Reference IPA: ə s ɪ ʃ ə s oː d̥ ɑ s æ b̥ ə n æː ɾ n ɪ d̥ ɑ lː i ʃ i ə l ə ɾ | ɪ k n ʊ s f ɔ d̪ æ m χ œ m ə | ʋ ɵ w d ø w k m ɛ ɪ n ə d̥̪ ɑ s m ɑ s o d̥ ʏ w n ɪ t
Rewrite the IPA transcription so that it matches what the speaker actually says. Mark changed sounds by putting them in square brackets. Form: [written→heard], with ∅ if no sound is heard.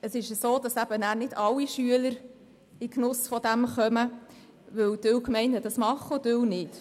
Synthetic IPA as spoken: ə s ɪ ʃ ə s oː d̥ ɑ s æ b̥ ə n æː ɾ n ɪ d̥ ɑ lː i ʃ [i→y] ə l ə ɾ | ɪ k n ʊ s f ɔ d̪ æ m χ œ m ə | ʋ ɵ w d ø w k m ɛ ɪ n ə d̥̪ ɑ s m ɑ [s→χ] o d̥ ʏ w n ɪ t

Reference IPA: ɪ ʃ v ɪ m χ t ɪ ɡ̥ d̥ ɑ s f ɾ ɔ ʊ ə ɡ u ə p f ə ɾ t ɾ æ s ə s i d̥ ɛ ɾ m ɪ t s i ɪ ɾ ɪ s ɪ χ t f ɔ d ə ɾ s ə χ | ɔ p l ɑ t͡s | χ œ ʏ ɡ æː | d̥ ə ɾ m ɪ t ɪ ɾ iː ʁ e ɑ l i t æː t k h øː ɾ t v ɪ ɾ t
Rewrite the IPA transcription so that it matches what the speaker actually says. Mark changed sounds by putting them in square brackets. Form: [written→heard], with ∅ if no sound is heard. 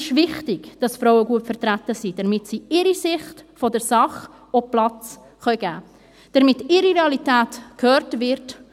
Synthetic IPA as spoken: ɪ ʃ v ɪ [m→∅] χ t ɪ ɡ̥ d̥ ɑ s f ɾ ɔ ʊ ə ɡ u ə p f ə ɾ t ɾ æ [s→t] ə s i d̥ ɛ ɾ m ɪ t s i ɪ ɾ [ɪ→i] s ɪ χ t f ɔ d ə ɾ s [ə→ɑ] χ | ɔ p l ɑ t͡s | χ œ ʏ ɡ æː | d̥ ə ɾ m ɪ t ɪ ɾ [iː→i] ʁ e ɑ l i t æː t k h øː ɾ t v ɪ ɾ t

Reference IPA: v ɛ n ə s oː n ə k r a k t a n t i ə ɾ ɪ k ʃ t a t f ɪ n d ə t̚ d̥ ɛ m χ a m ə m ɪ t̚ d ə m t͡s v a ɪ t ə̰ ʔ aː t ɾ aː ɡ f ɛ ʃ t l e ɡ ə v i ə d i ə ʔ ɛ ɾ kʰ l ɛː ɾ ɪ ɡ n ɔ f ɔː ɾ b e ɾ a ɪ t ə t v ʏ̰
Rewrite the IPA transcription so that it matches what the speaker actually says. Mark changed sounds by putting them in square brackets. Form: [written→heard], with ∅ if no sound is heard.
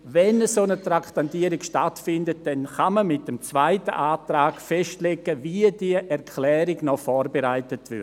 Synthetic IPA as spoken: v ɛ n ə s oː n ə [k→t] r a k t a n t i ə ɾ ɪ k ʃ t a t f ɪ n d ə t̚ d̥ ɛ [m→n] χ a m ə m ɪ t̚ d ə m t͡s v a ɪ t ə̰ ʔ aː t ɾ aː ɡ f ɛ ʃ t l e ɡ ə v i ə d i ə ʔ ɛ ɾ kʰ l ɛː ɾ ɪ ɡ n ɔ f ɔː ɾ b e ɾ a ɪ t ə t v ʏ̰

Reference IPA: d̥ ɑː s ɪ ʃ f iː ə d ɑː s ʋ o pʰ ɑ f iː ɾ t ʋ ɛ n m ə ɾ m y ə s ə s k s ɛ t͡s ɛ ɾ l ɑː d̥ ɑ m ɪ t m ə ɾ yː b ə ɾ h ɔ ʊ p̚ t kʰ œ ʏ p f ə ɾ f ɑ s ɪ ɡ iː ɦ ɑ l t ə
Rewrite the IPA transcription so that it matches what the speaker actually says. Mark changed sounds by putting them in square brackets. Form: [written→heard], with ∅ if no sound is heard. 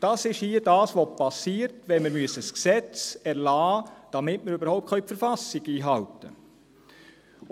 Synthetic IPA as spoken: d̥ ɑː s ɪ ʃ [f→h] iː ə d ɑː s ʋ o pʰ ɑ [f→s] iː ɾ t ʋ ɛ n m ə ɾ m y ə s ə s k s ɛ t͡s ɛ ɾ l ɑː d̥ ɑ m ɪ t m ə ɾ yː b ə ɾ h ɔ ʊ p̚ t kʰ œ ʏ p f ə ɾ f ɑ s ɪ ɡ iː ɦ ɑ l t ə

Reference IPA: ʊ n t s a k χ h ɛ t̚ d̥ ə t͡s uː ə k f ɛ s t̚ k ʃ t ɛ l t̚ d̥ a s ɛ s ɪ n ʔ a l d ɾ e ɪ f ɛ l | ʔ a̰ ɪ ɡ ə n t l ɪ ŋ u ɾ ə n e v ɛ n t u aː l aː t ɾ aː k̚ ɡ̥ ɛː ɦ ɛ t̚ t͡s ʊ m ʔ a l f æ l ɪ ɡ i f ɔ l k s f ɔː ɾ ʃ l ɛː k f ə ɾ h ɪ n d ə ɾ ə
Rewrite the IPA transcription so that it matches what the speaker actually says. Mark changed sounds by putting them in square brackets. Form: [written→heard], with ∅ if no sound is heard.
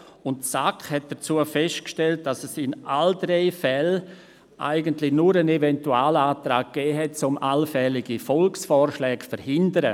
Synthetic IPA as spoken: ʊ n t s a k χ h ɛ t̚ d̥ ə t͡s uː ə [k→∅] f ɛ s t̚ k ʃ t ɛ l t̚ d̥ a s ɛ s ɪ n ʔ a l d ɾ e ɪ f ɛ l | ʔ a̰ ɪ ɡ ə n t l ɪ [ŋ→n] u ɾ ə n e v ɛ n t u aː l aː t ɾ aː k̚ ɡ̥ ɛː ɦ ɛ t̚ t͡s ʊ m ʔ a l f [æ→ɛ] l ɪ ɡ i f ɔ l k s f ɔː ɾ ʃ l ɛː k f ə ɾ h ɪ n d ə ɾ ə

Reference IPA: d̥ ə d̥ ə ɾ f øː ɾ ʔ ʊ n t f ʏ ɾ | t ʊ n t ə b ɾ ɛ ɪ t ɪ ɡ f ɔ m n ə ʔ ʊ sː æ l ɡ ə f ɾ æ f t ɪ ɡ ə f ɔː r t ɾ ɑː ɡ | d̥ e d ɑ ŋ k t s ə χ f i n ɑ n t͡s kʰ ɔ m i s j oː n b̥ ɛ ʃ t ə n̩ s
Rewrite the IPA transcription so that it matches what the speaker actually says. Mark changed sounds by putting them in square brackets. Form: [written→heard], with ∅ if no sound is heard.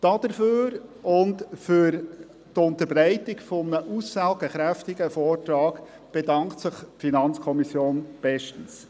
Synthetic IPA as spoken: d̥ [ə→ɑ] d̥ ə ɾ f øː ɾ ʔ ʊ n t f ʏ ɾ | t ʊ n t ə b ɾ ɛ ɪ t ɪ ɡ f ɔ m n ə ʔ [ʊ→u] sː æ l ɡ ə [f→χ] ɾ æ f t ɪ ɡ ə f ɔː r t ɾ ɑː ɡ | [d̥→b̥] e d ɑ ŋ k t s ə χ f i n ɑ n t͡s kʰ ɔ m i s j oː n b̥ ɛ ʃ t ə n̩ s

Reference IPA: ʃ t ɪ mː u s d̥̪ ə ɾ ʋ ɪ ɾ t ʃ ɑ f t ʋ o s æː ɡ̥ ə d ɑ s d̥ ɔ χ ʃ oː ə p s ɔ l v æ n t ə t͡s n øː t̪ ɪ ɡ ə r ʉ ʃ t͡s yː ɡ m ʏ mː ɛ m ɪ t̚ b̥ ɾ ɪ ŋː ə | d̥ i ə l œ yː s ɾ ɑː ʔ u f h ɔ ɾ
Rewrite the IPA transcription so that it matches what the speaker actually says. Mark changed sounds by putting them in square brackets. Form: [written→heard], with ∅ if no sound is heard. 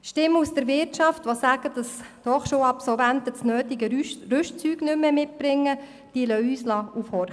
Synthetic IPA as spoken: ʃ t ɪ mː u s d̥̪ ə ɾ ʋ ɪ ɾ t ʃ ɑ f t ʋ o s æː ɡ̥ ə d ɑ s d̥ ɔ χ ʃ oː [ə→ɑ] p s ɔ l v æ n t ə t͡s n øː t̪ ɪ ɡ ə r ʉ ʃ t͡s yː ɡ [m→n] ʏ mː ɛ m ɪ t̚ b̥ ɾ ɪ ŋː ə | d̥ i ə l œ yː s [ɾ→l] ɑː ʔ u f h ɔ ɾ

